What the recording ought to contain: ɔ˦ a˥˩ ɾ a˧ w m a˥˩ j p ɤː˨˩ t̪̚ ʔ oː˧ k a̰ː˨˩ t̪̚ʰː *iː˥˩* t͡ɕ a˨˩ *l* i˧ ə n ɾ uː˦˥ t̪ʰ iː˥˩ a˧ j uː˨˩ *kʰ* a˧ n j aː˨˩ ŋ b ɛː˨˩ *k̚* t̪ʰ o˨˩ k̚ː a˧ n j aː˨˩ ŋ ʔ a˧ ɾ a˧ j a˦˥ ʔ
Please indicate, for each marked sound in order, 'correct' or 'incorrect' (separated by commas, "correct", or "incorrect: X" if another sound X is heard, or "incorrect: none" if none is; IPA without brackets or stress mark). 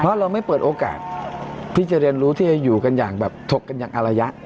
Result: correct, incorrect: ɾ, incorrect: k, incorrect: p̚